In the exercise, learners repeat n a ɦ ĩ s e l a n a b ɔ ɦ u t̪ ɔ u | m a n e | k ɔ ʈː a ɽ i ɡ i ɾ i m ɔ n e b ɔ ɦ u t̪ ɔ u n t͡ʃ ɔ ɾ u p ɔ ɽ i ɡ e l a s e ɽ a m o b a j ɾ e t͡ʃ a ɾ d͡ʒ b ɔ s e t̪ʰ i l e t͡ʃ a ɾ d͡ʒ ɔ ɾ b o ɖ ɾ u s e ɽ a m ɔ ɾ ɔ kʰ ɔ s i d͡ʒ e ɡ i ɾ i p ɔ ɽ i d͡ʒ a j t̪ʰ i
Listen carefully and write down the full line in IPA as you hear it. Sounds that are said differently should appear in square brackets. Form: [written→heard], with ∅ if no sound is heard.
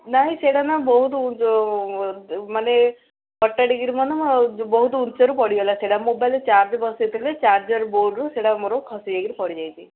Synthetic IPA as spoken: n a ɦ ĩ s e [l→ɽ] a n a b ɔ ɦ u t̪ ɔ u | m a n e | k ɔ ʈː a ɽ i ɡ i ɾ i m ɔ n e b ɔ ɦ u t̪ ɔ u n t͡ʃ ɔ ɾ u p ɔ ɽ i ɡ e l a s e ɽ a m o b a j [ɾ→l] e t͡ʃ a ɾ d͡ʒ b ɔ s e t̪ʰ i l e t͡ʃ a ɾ d͡ʒ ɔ ɾ b o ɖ ɾ u s e ɽ a m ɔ ɾ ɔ kʰ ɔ s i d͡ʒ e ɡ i ɾ i p ɔ ɽ i d͡ʒ a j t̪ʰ i

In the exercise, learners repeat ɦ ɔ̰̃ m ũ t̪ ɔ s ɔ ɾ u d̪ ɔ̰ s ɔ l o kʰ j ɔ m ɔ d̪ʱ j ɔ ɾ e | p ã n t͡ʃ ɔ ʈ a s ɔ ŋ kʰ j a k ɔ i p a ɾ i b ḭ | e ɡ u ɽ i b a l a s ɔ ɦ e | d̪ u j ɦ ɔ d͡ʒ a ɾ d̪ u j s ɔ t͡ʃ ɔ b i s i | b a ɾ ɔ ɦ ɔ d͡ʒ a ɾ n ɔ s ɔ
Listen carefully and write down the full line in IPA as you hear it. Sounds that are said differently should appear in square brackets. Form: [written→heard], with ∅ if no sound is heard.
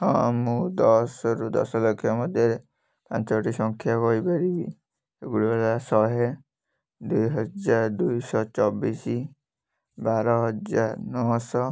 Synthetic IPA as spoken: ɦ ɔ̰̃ m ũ [t̪→d̪] ɔ s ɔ ɾ u d̪ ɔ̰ s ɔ l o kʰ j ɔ m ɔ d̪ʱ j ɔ ɾ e | p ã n t͡ʃ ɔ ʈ [a→i] s ɔ ŋ kʰ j a k ɔ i p a ɾ i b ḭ | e ɡ u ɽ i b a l a s ɔ ɦ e | d̪ u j ɦ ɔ d͡ʒ a ɾ d̪ u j s ɔ t͡ʃ ɔ b i s i | b a ɾ ɔ ɦ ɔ d͡ʒ a ɾ n ɔ s ɔ

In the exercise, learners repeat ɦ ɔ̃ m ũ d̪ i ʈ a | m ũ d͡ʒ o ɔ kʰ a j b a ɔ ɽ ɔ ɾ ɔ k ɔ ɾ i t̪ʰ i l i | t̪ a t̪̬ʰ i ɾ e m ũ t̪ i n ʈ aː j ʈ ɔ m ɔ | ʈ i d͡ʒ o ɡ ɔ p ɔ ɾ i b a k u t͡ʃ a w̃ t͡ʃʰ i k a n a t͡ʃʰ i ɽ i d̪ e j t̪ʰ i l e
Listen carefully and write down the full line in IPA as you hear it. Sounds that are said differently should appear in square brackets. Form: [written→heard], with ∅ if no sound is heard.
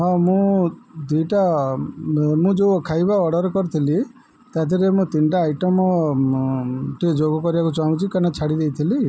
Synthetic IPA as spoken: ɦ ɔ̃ m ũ d̪ i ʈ a | m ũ d͡ʒ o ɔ kʰ a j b a ɔ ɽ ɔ ɾ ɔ k ɔ ɾ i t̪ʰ i l i | t̪ a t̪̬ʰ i ɾ e m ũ t̪ i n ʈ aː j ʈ ɔ m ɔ | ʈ i d͡ʒ o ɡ ɔ [p→k] ɔ ɾ i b a k u t͡ʃ a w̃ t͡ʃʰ i k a n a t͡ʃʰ [i→a] ɽ i d̪ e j t̪ʰ i l [e→i]

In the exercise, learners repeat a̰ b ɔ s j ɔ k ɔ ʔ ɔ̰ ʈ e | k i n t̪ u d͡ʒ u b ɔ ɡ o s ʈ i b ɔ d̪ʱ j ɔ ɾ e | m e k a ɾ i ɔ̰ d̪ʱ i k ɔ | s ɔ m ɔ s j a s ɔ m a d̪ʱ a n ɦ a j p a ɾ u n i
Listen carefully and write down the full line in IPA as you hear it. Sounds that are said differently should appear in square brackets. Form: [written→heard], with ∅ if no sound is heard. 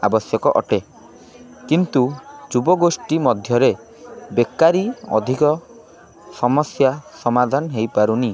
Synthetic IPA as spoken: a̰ b ɔ s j ɔ k ɔ ʔ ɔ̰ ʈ e | k i n t̪ u d͡ʒ u b ɔ ɡ o s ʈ i [b→m] ɔ d̪ʱ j ɔ ɾ e | [m→b] e k a ɾ i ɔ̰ d̪ʱ i k ɔ | s ɔ m ɔ s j a s ɔ m a d̪ʱ a n ɦ [a→e] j p a ɾ u n i

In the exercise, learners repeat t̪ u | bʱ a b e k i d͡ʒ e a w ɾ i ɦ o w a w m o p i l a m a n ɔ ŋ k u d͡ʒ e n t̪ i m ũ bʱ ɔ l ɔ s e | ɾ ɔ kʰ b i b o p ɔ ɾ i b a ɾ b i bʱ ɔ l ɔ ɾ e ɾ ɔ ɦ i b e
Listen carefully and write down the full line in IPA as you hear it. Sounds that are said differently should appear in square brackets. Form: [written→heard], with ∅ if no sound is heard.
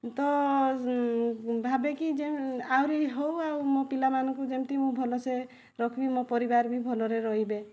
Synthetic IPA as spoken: t̪ [u→ɔ] | bʱ a b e k i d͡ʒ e a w ɾ i ɦ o w a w m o p i l a m a n ɔ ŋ k u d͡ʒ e [n→m] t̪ i m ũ bʱ ɔ l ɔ s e | ɾ ɔ kʰ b i [b→m] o p ɔ ɾ i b a ɾ b i bʱ ɔ l ɔ ɾ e ɾ ɔ ɦ i b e

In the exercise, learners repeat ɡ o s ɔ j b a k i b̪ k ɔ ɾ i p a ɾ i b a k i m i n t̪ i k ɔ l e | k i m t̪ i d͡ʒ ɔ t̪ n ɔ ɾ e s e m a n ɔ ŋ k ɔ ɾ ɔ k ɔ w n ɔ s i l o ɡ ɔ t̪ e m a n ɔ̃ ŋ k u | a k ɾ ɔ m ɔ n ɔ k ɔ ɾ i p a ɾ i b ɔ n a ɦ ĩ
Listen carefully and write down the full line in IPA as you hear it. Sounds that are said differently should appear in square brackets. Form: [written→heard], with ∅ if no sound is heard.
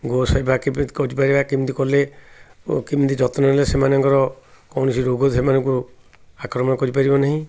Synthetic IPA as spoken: ɡ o s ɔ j b a k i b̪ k ɔ ɾ i p a ɾ i b a k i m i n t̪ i k ɔ l e | k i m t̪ i d͡ʒ ɔ t̪ n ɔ [ɾ→l] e s e m a n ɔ ŋ k ɔ ɾ ɔ k ɔ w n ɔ s i [l→ɾ] o ɡ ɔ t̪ e m a n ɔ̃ ŋ k u | a k ɾ ɔ m ɔ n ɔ k ɔ ɾ i p a ɾ i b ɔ n a ɦ ĩ

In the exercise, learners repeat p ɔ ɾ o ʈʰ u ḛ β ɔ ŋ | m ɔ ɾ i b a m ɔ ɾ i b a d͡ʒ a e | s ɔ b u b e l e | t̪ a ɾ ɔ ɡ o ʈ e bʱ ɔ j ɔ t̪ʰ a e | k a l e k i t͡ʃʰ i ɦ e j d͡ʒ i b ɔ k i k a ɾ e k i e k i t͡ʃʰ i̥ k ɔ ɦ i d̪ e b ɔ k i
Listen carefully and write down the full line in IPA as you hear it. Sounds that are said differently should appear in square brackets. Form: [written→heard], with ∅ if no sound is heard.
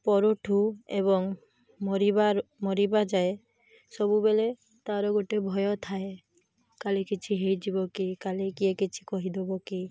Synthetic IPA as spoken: p ɔ ɾ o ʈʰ u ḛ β ɔ ŋ | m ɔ ɾ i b a m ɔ ɾ i b a d͡ʒ a e | s ɔ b u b e l e | t̪ a ɾ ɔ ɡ o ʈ e bʱ ɔ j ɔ t̪ʰ a e | k a l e k i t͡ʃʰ i ɦ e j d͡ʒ i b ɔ k i k a [ɾ→l] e k i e k i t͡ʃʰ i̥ k ɔ ɦ i d̪ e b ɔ k i

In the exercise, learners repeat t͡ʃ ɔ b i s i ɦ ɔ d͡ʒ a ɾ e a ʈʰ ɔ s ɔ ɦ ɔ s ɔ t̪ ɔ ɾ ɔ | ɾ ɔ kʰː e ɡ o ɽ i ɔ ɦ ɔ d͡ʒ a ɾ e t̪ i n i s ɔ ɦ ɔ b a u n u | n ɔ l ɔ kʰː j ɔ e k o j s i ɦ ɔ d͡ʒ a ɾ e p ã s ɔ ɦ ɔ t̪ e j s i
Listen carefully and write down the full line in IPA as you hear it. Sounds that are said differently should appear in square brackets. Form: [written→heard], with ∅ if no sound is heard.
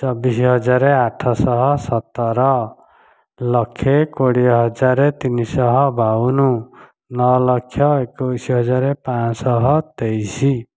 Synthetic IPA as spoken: t͡ʃ ɔ b i s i ɦ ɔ d͡ʒ a ɾ e a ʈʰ ɔ s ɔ ɦ ɔ s ɔ t̪ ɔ ɾ ɔ | [ɾ→l] ɔ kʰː e [ɡ→k] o ɽ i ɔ ɦ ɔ d͡ʒ a ɾ e t̪ i n i s ɔ ɦ ɔ b a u n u | n ɔ l ɔ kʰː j ɔ e k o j s i ɦ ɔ d͡ʒ a ɾ e p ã s ɔ ɦ ɔ t̪ e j s i

